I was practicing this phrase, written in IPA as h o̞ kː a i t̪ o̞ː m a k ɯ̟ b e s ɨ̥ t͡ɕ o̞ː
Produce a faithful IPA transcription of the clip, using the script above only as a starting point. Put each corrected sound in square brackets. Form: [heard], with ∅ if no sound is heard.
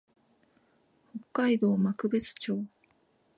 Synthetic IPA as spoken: h o̞ kː a i [d̪] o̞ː m a k ɯ̟ b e [t͡s] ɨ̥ t͡ɕ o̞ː